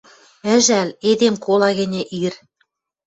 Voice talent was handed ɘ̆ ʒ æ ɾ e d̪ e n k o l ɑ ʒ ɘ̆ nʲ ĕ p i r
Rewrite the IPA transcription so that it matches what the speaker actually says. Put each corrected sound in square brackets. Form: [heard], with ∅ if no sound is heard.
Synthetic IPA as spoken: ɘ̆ ʒ æ [l] e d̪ e [m] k o l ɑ [ɣ] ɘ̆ nʲ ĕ [ʔ] i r